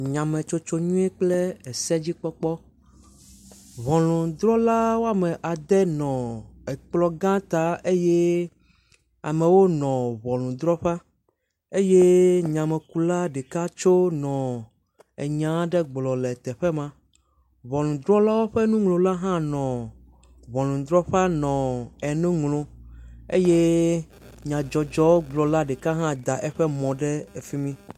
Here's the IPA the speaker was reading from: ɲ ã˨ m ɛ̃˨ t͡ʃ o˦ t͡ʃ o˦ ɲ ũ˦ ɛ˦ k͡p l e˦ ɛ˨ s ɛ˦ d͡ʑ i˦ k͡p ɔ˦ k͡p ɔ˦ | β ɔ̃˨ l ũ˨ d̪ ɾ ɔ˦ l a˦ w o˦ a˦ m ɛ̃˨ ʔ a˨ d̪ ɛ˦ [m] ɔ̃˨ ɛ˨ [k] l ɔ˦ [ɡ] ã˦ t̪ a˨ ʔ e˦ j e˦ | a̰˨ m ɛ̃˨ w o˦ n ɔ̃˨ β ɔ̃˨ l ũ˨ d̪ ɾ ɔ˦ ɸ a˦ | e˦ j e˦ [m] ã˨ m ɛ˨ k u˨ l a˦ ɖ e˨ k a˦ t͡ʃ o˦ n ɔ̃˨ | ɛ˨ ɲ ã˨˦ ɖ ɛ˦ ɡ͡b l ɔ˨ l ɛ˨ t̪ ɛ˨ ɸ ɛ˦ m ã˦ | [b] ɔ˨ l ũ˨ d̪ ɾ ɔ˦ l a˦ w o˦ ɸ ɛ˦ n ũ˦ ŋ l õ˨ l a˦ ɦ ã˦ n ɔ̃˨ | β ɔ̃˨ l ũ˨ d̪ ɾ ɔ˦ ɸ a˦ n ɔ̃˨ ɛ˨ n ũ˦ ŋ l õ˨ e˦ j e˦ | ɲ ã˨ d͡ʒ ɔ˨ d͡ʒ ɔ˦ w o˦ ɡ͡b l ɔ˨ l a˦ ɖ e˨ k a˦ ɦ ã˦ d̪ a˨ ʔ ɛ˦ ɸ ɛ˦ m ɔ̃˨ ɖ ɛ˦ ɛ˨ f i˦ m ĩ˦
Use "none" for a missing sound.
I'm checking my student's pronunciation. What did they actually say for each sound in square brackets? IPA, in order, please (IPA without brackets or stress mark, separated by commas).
n, k͡p, ɡ, ɲ, β